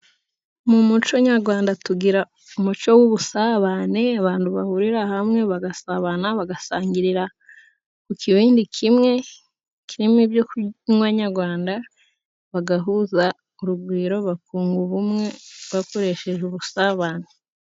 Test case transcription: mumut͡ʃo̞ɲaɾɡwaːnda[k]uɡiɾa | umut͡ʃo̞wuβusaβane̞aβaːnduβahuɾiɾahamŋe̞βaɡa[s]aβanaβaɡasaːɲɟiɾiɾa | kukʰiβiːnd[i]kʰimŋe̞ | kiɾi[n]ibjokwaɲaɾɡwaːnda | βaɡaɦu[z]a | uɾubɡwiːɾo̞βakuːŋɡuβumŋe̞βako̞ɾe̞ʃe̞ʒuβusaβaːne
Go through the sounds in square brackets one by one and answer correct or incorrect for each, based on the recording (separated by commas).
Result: incorrect, correct, correct, incorrect, correct